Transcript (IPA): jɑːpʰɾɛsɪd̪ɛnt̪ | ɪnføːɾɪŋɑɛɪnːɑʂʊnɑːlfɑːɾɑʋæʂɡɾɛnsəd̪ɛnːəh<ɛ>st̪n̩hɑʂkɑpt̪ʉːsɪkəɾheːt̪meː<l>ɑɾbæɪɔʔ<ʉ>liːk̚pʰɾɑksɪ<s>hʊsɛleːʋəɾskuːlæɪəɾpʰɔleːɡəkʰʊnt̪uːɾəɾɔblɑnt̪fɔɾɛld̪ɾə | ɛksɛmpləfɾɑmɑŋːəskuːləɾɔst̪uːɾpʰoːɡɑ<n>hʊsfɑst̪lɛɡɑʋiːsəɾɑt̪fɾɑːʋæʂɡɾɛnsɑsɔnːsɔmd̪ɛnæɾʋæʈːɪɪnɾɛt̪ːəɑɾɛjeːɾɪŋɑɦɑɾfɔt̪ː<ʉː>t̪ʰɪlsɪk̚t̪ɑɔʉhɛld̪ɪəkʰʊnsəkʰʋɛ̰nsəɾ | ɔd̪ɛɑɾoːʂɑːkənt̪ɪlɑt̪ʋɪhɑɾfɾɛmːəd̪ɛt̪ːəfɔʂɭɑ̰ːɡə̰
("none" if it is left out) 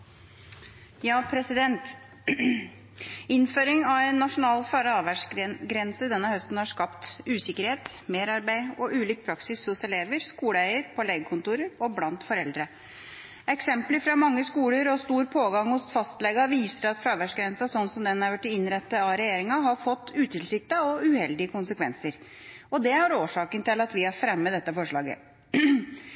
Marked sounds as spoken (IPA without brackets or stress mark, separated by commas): œ, ɾ, ʉː, s, ŋ, ʉː